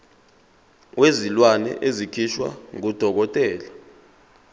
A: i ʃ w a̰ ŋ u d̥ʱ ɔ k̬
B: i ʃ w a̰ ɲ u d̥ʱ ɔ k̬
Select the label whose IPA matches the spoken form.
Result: A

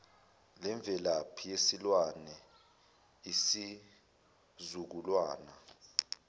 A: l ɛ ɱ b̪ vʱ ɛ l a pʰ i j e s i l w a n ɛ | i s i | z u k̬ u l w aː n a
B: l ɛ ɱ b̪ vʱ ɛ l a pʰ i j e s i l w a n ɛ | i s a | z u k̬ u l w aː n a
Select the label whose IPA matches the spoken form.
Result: A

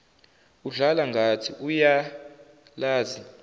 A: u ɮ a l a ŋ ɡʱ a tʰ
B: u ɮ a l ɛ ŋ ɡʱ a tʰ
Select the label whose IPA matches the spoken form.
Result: A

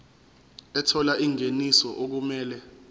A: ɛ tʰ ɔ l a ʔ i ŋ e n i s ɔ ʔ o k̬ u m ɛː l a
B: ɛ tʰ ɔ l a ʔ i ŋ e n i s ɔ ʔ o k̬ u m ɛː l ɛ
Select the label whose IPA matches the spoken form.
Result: B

